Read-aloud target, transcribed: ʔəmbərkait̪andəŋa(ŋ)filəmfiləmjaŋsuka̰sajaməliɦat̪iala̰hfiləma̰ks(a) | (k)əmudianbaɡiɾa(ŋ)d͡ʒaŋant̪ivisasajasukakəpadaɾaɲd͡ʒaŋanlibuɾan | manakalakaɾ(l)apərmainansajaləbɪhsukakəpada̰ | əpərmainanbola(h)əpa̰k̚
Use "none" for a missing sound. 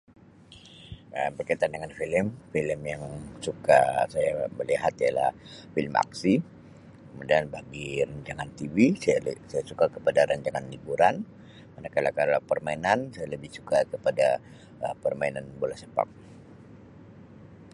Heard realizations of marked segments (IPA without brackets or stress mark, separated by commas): n, i, k, ɲ, l, s